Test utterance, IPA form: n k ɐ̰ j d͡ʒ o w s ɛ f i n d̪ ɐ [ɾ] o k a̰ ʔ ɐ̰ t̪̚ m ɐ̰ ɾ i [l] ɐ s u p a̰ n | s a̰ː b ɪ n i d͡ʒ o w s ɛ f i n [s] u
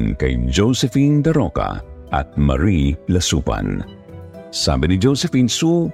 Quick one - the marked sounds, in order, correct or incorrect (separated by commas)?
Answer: correct, correct, correct